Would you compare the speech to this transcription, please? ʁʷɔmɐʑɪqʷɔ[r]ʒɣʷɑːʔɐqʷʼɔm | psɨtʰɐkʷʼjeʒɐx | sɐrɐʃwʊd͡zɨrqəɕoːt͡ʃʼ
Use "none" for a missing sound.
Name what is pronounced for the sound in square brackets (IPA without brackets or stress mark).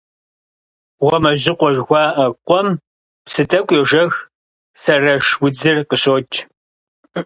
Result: none